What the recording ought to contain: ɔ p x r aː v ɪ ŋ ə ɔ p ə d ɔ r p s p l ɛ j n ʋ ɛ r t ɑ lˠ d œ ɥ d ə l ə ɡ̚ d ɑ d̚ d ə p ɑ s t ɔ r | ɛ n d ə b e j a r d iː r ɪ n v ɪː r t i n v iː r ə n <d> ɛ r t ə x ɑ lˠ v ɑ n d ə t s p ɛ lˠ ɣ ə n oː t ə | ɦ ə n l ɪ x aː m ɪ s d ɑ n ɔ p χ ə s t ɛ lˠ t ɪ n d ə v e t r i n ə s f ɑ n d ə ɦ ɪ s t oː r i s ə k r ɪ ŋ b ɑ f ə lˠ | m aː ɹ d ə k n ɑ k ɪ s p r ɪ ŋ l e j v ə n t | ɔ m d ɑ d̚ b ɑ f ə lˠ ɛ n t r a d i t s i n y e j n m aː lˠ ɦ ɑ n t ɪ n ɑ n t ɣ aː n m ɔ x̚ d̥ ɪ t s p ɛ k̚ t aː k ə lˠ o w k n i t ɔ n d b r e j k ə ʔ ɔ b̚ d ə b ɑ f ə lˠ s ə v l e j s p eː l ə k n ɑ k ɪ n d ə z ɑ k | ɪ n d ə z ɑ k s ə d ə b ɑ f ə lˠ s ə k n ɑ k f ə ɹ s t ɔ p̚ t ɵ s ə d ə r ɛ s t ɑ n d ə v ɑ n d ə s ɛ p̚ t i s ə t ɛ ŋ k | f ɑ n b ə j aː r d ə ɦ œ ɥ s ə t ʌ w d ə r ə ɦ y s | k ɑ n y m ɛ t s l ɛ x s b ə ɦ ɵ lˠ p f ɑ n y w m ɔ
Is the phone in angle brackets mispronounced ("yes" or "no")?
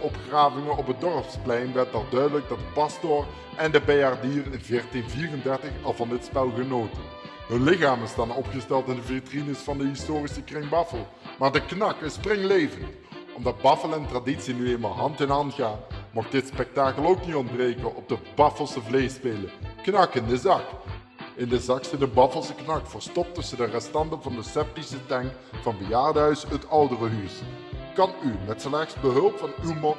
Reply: no